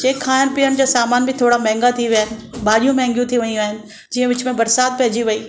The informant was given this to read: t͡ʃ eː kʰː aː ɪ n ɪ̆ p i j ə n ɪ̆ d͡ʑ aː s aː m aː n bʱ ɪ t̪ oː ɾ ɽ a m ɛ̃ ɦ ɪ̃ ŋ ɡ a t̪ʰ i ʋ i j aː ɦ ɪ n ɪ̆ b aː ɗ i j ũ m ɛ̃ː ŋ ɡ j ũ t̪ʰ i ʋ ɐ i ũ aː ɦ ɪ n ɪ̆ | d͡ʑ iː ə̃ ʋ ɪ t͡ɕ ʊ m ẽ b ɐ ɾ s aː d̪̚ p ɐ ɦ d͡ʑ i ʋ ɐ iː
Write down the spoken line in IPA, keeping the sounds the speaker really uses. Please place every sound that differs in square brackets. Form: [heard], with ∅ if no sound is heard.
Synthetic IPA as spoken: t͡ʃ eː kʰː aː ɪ n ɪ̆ p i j ə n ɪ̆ d͡ʑ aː s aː m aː n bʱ ɪ [t̪ʰ] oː [∅] ɽ a m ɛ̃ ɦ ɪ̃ ŋ ɡ a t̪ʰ i ʋ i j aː ɦ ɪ n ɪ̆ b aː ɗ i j ũ m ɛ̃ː ŋ ɡ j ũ t̪ʰ i ʋ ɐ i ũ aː ɦ ɪ n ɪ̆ | d͡ʑ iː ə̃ ʋ ɪ t͡ɕ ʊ m ẽ b ɐ ɾ s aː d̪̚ p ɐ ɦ d͡ʑ i ʋ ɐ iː